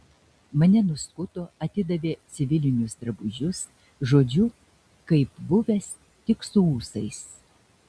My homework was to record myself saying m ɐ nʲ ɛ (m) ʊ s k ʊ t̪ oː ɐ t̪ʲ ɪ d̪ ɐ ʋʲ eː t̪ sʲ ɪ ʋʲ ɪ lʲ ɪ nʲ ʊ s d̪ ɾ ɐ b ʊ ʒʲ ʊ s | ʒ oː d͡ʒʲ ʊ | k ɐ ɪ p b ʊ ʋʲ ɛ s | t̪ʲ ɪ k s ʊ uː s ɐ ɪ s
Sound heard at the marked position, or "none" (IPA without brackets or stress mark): n